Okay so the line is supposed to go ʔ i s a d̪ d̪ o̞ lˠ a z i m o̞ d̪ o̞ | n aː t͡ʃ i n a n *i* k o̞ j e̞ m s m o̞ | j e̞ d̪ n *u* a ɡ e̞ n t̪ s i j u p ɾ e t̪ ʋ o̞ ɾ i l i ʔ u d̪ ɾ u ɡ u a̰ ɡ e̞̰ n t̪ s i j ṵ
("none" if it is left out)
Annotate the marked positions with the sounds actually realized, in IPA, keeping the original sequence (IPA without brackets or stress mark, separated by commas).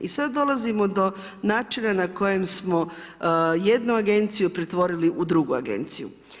a, u